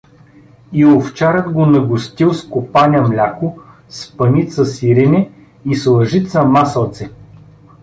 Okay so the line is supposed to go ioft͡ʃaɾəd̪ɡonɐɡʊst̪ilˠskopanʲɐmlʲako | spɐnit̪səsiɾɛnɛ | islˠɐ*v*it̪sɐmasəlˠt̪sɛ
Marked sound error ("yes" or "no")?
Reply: yes